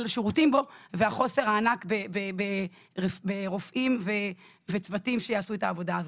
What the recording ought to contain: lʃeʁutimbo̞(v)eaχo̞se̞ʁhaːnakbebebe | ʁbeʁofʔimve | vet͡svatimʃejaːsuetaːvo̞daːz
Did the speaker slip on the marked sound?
no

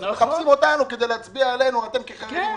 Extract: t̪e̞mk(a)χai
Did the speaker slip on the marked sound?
yes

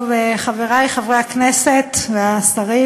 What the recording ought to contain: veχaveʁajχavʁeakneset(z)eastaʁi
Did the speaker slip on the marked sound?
yes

